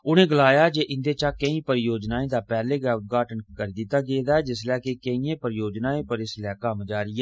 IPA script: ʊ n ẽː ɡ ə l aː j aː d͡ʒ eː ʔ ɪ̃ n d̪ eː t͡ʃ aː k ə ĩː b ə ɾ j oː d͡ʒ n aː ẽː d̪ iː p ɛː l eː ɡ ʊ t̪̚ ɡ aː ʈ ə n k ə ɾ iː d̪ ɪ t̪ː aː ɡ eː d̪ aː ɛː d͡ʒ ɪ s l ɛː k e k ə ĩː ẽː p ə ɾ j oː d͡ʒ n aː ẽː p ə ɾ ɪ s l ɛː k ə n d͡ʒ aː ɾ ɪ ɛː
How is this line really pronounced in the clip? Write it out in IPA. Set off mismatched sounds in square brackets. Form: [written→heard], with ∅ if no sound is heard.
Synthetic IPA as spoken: ʊ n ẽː ɡ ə l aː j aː d͡ʒ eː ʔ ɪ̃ n d̪ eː t͡ʃ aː k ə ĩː [b→p] ə ɾ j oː d͡ʒ n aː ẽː d̪ [iː→aː] p ɛː l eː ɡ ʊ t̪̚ ɡ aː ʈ ə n k ə ɾ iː d̪ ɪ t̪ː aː ɡ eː d̪ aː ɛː d͡ʒ ɪ s l ɛː k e k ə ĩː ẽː p ə ɾ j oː d͡ʒ n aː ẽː p ə ɾ ɪ s l ɛː k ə [n→m] d͡ʒ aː ɾ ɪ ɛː